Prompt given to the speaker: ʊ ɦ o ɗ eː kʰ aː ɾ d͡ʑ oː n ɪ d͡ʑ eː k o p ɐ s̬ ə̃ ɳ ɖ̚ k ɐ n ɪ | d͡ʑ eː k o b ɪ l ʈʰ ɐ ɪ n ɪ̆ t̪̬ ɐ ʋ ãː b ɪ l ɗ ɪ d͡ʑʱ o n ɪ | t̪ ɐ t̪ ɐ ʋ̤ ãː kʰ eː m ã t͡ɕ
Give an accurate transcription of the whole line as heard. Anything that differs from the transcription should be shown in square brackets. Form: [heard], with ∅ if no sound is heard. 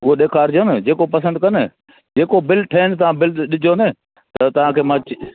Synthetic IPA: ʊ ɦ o ɗ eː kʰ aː ɾ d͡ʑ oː n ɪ d͡ʑ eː k o p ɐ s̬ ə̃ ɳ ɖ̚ k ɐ n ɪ | d͡ʑ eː k o b ɪ l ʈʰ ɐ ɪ n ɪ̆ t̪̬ ɐ ʋ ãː b ɪ l ɗ ɪ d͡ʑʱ o n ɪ | t̪ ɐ t̪ ɐ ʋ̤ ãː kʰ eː m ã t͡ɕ